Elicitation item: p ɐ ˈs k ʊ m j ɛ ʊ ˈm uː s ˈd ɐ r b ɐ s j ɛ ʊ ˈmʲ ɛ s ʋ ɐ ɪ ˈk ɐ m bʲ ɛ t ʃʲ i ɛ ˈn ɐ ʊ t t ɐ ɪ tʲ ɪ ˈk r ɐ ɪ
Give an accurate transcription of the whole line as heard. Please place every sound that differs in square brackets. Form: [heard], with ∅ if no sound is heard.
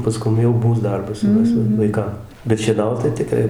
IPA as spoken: p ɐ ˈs k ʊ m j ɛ ʊ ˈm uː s ˈd ɐ r b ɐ s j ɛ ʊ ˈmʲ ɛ s ʋ ɐ ɪ ˈk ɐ m bʲ ɛ t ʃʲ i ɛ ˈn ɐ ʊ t t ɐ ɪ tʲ ɪ ˈk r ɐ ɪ

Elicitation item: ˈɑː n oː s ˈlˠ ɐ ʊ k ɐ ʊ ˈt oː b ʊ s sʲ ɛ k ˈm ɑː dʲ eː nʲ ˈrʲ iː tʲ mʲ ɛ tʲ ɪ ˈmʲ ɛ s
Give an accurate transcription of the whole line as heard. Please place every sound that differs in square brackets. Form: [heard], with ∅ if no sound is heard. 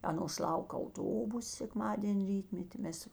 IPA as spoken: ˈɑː n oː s ˈlˠ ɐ ʊ k ɐ ʊ ˈt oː b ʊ s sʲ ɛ k ˈm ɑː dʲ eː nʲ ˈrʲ iː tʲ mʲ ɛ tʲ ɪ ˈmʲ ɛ s

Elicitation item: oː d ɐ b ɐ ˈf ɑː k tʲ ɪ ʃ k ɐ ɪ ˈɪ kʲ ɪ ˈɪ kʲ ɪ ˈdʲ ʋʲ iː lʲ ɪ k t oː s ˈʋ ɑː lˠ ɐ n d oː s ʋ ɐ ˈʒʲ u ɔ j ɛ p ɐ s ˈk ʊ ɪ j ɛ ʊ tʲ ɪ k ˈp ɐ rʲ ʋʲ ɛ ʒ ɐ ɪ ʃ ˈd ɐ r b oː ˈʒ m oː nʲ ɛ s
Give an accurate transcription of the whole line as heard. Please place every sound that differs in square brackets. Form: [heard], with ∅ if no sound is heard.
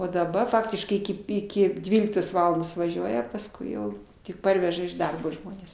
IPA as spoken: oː d ɐ b ɐ ˈf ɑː k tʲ ɪ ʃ k ɐ ɪ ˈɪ kʲ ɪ ˈɪ kʲ ɪ ˈdʲ ʋʲ iː lʲ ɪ k t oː s ˈʋ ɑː lˠ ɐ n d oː s ʋ ɐ ˈʒʲ u ɔ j ɛ p ɐ s ˈk ʊ ɪ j ɛ ʊ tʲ ɪ k ˈp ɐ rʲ ʋʲ ɛ ʒ ɐ ɪ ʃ ˈd ɐ r b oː ˈʒ m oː nʲ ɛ s

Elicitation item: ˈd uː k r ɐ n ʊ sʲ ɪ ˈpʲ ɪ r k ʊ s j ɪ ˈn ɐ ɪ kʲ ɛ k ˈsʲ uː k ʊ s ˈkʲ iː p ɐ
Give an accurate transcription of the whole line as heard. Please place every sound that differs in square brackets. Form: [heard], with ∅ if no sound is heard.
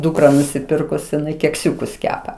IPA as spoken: ˈd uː k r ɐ n ʊ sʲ ɪ ˈpʲ ɪ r k ʊ s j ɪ ˈn ɐ ɪ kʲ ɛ k ˈsʲ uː k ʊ s ˈkʲ [æː] p ɐ

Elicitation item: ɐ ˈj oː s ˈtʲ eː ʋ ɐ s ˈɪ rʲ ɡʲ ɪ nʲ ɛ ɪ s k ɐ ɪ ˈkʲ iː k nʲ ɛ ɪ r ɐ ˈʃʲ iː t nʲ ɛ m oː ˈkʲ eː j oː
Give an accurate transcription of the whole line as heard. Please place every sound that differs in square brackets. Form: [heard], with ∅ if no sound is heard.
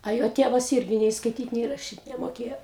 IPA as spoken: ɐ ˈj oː [∅] ˈtʲ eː ʋ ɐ s ˈɪ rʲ ɡʲ ɪ nʲ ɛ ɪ s k ɐ ɪ [ˈtʲ] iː [t] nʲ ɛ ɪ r ɐ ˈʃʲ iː t nʲ ɛ m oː ˈkʲ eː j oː

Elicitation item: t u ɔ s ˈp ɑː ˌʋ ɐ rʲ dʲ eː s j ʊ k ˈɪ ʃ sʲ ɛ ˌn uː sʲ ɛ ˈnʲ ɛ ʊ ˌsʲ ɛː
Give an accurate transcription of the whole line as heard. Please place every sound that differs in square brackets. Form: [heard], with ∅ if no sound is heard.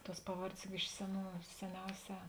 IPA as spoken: t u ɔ s ˈp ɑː ˌʋ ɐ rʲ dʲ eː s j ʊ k ˈɪ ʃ sʲ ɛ ˌn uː sʲ ɛ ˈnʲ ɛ ʊ ˌsʲ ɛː

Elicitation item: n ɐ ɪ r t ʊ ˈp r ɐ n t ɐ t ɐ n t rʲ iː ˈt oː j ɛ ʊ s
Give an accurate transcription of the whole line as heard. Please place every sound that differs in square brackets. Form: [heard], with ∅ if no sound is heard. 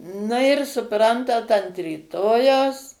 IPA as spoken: n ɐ ɪ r [s] ʊ ˈp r ɐ n t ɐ t ɐ n t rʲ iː ˈt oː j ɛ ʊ s

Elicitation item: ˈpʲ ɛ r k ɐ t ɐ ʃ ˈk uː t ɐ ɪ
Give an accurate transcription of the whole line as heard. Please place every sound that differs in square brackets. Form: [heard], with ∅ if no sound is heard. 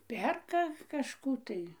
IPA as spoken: ˈpʲ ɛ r k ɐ [k] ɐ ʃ ˈk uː t ɐ ɪ

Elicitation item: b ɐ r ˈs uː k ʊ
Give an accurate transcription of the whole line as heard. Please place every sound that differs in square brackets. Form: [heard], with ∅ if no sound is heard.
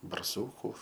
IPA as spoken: b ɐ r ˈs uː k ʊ

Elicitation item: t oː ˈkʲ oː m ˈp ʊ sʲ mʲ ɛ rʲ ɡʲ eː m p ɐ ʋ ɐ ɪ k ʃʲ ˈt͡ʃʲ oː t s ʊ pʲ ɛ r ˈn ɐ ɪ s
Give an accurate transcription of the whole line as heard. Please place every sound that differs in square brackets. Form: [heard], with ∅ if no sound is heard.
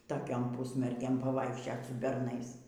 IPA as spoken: t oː ˈkʲ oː m ˈp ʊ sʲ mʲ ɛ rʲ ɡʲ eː m p ɐ ʋ ɐ ɪ k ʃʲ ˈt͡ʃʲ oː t s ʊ [bʲ] ɛ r ˈn ɐ ɪ s

